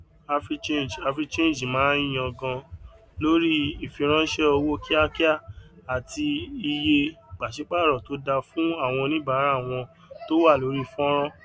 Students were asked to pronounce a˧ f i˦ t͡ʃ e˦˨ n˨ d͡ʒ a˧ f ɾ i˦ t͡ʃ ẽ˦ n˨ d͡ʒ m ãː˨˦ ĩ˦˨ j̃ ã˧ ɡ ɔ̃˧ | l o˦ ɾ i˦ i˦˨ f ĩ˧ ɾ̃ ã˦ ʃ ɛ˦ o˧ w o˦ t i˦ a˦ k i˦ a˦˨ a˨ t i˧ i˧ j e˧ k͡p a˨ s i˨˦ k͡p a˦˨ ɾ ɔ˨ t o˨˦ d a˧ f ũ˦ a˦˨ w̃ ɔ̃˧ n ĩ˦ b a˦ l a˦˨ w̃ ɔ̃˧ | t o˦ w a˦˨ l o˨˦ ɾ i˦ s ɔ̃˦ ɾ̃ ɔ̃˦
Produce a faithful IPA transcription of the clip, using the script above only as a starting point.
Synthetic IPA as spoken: a˧ f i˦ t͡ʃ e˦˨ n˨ d͡ʒ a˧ f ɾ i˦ t͡ʃ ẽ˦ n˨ d͡ʒ m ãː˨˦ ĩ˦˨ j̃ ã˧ ɡ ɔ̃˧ | l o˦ ɾ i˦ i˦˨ f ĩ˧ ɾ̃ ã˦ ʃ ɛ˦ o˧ w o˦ k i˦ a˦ k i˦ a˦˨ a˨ t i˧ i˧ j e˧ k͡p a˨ ʃ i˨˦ k͡p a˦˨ ɾ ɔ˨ t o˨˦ d a˧ f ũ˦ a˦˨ w̃ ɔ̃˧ n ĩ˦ b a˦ ɾ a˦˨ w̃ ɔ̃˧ | t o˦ w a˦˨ l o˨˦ ɾ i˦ f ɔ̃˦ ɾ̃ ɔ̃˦

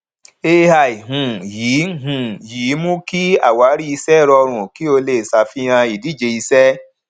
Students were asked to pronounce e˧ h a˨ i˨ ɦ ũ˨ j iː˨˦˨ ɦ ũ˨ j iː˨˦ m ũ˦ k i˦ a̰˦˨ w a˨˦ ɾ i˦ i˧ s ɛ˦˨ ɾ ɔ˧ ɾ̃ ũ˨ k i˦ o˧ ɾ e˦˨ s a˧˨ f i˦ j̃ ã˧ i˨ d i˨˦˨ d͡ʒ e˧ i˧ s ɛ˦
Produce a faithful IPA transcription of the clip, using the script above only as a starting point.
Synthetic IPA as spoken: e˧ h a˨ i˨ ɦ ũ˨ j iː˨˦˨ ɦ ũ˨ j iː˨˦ m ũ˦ k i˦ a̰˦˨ w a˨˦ ɾ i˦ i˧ s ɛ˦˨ ɾ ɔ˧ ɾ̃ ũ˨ k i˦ o˧ l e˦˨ s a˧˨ f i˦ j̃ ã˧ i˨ d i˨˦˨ d͡ʒ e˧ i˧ s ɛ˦

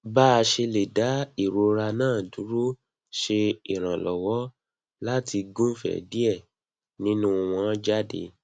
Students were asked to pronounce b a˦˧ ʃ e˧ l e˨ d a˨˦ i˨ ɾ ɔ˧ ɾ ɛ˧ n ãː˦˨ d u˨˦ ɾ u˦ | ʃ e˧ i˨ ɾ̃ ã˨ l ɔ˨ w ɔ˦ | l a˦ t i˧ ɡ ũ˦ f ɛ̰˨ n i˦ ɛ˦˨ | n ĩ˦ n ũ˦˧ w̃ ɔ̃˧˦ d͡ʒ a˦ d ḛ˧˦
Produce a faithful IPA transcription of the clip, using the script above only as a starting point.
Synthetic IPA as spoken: b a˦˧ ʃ e˧ l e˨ d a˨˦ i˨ ɾ o˧ ɾ a˧ n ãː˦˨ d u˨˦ ɾ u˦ | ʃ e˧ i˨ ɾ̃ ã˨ l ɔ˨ w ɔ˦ | l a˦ t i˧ ɡ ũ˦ f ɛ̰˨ d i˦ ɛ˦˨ | n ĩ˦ n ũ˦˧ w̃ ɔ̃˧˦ d͡ʒ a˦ d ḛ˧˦

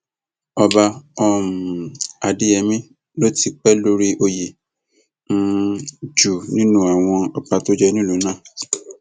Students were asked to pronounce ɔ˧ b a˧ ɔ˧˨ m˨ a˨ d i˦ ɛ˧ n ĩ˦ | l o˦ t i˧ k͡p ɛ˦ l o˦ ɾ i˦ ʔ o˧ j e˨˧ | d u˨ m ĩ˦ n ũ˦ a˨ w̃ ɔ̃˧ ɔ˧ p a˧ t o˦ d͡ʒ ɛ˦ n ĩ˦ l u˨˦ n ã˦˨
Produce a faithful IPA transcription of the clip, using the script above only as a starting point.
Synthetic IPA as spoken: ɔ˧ b a˧ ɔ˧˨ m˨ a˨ d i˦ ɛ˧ m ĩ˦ | l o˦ t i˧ k͡p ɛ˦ l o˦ ɾ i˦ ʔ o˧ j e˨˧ | d͡ʒ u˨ n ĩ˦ n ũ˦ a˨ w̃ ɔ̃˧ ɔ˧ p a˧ t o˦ d͡ʒ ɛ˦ n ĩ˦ l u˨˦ n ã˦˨

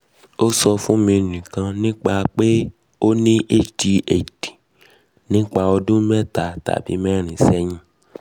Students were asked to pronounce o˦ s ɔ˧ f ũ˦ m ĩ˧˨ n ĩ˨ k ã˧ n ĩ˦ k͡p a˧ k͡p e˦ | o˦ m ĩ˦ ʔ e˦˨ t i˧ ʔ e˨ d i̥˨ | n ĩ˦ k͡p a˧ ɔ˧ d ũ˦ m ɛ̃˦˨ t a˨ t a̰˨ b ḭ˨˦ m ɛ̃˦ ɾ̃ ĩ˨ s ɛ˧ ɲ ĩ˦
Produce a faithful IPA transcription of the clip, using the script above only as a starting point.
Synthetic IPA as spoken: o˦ s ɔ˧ f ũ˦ m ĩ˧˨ n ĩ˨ k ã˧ n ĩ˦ k͡p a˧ k͡p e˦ | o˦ n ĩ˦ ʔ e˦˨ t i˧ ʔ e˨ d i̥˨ | n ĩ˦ k͡p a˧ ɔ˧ d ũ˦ m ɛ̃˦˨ t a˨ t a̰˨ b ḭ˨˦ m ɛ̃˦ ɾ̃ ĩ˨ s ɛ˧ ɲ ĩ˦

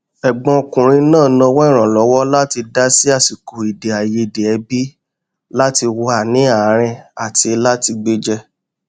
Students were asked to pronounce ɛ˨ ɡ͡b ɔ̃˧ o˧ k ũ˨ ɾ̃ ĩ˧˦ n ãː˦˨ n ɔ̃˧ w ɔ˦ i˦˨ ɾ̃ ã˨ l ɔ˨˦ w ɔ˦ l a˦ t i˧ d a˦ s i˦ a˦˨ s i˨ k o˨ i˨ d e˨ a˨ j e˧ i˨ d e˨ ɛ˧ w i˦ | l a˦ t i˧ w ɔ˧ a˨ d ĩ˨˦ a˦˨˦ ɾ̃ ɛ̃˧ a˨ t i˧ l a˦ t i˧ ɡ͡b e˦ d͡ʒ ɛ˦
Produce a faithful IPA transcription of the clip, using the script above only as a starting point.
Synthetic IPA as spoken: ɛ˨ ɡ͡b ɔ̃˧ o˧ k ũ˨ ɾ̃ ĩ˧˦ n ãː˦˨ n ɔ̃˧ w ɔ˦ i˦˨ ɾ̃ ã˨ l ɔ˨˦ w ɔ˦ l a˦ t i˧ d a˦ s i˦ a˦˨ s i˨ k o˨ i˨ d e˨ a˨ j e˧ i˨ d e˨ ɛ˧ b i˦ | l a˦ t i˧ w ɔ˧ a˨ n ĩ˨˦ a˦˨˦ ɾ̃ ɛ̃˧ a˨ t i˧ l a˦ t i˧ ɡ͡b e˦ d͡ʒ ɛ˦

